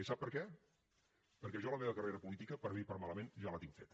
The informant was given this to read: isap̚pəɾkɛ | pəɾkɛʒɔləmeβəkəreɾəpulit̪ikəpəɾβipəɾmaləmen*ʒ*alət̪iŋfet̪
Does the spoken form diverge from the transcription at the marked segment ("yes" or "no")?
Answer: no